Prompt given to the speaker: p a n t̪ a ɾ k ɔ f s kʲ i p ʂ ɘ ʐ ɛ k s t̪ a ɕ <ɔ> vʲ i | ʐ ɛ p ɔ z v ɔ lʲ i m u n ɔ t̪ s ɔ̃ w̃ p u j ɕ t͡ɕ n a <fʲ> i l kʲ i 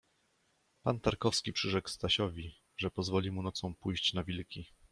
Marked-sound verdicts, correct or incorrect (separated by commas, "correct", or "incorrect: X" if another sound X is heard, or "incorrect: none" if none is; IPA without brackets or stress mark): correct, incorrect: vʲ